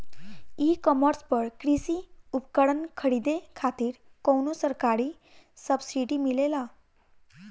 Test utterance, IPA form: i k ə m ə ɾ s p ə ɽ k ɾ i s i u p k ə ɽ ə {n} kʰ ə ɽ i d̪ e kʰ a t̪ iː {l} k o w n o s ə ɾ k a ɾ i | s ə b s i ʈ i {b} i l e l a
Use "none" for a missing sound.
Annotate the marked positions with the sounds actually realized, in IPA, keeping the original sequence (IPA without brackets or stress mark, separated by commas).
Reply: n, ɾ, m